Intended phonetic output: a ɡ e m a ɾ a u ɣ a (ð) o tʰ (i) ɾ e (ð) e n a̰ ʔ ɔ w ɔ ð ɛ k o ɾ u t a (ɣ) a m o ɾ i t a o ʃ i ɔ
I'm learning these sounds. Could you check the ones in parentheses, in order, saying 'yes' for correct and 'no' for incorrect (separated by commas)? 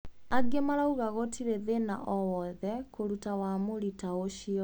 no, yes, yes, no